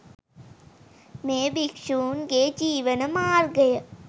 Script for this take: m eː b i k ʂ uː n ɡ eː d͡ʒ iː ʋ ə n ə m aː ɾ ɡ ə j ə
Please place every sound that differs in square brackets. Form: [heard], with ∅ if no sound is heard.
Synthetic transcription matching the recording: m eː b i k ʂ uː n ɡ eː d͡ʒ iː ʋ ə n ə m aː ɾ ɡ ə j ə

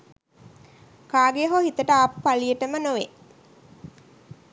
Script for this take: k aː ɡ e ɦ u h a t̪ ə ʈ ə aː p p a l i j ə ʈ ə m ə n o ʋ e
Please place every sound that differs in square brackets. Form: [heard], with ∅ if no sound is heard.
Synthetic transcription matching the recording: k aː ɡ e ɦ [o] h [i] t̪ ə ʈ ə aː p p a l i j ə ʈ ə m ə n o ʋ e

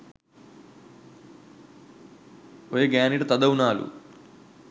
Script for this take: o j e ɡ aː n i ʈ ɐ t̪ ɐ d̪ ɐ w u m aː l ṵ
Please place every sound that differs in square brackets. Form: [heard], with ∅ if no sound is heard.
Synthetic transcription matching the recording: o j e ɡ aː n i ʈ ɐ t̪ ɐ d̪ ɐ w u [n] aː l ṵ

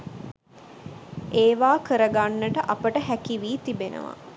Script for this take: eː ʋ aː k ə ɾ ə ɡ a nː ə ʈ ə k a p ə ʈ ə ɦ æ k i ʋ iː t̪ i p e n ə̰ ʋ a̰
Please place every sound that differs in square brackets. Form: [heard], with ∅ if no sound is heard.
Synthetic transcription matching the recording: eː ʋ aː k ə ɾ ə ɡ a nː ə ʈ ə [ʔ] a p ə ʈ ə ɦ æ k i ʋ iː t̪ i [b] e n ə̰ ʋ a̰

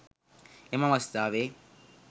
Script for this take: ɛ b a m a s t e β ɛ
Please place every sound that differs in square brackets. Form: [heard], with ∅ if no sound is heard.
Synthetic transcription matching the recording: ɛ [m] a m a s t [a] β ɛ

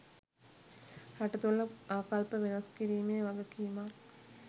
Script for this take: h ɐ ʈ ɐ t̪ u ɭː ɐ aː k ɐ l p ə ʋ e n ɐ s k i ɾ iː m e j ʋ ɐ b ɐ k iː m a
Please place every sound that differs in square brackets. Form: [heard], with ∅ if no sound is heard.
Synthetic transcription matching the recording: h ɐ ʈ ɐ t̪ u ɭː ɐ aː k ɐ l p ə ʋ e n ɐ s k i ɾ iː m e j ʋ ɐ [ɡ] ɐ k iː m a

